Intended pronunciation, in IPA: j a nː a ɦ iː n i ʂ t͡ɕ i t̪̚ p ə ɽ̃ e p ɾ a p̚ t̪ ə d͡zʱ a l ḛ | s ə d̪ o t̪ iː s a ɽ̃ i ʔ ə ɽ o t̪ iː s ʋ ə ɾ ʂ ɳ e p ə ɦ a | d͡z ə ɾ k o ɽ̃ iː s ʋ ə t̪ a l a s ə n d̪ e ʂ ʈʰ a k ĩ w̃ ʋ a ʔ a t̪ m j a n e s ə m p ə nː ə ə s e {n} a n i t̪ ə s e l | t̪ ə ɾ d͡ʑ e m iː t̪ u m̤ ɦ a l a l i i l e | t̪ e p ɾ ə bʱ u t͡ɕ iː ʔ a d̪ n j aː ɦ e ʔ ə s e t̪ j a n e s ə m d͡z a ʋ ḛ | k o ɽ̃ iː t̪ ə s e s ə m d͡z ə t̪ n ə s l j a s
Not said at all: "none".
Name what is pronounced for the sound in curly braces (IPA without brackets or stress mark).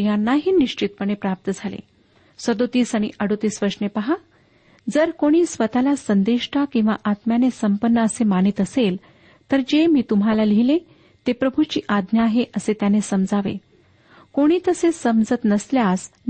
m